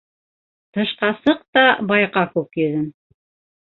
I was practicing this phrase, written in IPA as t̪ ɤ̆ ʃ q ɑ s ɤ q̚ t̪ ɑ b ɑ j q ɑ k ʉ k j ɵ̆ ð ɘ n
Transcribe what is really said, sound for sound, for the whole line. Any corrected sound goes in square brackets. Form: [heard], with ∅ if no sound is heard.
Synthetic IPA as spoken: t̪ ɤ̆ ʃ q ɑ s ɤ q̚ t̪ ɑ b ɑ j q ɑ k ʉ k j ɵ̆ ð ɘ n